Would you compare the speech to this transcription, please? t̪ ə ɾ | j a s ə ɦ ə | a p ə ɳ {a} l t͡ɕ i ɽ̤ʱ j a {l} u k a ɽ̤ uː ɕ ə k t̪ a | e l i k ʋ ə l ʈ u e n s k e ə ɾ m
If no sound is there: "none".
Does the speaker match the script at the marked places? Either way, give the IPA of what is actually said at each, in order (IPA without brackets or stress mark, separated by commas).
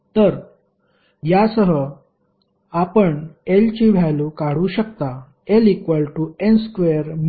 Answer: e, l